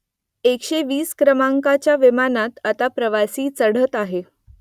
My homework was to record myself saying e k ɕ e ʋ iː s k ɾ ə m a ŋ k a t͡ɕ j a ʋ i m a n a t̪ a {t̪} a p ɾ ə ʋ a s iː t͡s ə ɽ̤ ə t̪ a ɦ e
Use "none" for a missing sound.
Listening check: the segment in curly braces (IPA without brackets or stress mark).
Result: t̪